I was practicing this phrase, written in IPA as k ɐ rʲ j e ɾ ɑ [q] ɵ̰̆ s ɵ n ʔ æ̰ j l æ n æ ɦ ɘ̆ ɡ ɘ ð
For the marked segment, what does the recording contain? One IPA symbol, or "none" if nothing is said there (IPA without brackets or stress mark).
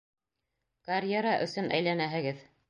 ʔ